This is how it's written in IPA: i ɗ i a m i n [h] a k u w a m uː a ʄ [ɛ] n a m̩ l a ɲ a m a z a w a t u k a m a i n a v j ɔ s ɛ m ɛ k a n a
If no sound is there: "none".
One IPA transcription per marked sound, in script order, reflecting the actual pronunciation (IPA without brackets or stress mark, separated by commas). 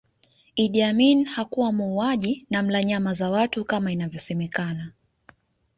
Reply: h, i